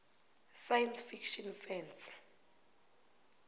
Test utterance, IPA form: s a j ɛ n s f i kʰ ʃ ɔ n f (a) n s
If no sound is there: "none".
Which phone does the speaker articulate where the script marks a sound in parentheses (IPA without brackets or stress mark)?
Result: ɛ